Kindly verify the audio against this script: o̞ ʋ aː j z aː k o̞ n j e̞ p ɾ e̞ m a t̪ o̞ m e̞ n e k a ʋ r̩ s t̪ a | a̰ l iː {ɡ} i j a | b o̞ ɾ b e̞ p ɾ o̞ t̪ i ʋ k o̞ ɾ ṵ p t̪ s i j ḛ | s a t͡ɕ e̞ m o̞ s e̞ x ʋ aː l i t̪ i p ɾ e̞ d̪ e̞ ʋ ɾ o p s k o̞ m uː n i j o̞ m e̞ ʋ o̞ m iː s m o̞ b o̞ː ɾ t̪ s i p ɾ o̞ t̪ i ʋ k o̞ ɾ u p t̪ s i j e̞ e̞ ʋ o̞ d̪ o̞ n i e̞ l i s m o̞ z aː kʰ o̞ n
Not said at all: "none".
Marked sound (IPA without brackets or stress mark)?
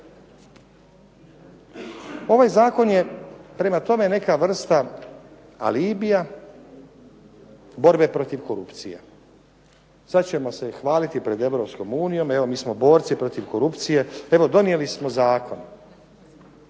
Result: b